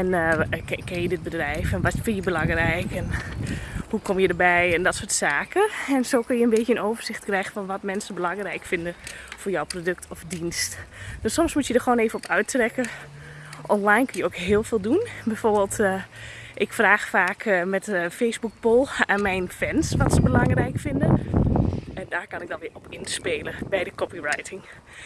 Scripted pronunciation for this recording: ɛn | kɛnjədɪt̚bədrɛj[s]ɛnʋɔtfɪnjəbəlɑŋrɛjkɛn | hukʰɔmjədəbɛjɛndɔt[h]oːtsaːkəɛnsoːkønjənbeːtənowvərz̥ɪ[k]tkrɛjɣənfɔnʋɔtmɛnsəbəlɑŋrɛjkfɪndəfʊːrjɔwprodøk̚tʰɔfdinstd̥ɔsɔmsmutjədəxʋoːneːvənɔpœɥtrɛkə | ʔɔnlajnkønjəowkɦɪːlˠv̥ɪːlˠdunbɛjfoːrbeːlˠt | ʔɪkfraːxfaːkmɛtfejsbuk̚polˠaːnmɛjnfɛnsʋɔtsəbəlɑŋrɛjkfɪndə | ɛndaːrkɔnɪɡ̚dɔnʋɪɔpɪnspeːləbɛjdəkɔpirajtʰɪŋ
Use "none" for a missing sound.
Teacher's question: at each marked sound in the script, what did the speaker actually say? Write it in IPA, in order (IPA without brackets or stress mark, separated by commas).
f, s, x